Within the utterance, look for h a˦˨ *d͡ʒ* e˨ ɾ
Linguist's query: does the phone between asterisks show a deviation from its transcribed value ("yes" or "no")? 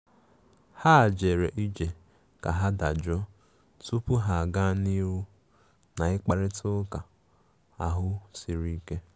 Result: no